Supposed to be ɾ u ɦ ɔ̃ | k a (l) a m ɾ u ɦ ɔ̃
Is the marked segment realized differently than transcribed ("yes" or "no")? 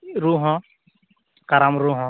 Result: yes